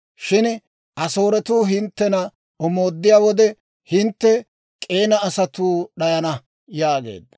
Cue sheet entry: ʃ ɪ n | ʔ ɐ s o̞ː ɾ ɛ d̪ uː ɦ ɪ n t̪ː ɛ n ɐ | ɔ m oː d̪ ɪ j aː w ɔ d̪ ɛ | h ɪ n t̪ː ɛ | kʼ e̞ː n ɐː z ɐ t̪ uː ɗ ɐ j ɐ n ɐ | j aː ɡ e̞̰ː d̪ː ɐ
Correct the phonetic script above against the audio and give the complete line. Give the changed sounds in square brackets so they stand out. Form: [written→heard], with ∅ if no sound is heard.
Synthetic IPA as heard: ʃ ɪ n | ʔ ɐ s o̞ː ɾ ɛ [d̪→t̪] uː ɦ ɪ n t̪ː ɛ n ɐ | ɔ m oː [d̪→d̪ː] ɪ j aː w ɔ d̪ ɛ | h ɪ n t̪ː ɛ | kʼ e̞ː n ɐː [z→s] ɐ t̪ uː ɗ ɐ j ɐ n ɐ | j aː ɡ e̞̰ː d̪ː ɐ